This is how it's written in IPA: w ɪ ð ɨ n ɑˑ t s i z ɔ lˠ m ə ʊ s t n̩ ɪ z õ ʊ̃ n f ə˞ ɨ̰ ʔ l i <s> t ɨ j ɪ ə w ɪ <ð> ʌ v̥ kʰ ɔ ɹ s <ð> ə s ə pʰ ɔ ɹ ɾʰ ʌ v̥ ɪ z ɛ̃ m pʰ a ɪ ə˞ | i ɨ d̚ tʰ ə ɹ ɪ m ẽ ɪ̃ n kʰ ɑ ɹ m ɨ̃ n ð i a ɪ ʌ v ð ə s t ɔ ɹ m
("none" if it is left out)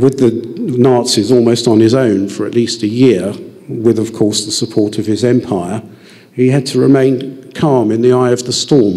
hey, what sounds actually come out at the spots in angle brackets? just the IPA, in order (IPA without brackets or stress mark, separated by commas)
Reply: s, ð, ð